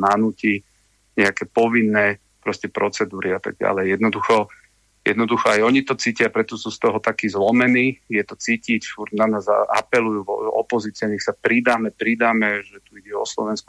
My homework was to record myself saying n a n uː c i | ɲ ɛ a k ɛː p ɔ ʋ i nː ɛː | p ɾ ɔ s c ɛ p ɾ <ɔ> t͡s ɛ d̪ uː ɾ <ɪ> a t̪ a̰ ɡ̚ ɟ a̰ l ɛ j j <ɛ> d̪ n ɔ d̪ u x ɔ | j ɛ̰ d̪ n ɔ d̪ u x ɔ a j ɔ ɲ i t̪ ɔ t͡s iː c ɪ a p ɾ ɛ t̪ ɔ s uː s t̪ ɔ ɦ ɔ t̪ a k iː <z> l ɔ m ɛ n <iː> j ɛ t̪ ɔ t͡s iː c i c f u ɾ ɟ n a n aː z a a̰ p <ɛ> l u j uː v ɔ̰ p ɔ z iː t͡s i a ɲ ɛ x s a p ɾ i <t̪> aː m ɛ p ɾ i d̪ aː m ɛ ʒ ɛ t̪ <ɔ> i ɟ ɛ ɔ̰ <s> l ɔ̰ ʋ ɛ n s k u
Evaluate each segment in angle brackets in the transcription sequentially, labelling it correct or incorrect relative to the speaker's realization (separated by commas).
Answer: correct, incorrect, correct, correct, correct, correct, incorrect, incorrect, correct